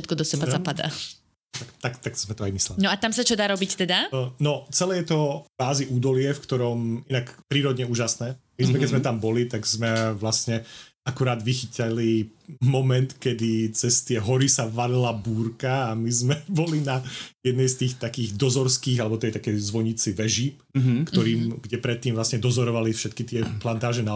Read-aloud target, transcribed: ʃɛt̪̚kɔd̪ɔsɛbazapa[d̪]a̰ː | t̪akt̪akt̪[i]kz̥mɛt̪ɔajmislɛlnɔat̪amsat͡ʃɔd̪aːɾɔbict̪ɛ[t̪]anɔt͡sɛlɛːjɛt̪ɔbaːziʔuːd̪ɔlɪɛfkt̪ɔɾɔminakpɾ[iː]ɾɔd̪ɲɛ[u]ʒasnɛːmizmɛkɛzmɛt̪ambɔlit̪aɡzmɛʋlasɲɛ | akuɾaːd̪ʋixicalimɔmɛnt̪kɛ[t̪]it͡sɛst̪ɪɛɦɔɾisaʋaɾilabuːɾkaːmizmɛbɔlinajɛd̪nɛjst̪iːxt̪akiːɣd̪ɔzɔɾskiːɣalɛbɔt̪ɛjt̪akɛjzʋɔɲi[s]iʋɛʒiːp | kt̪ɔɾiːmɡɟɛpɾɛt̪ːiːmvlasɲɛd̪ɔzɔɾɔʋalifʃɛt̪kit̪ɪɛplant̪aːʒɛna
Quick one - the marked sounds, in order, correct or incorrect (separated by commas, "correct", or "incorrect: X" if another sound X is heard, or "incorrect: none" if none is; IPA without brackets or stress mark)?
correct, incorrect: a, incorrect: d̪, correct, incorrect: uː, incorrect: d̪, incorrect: t͡s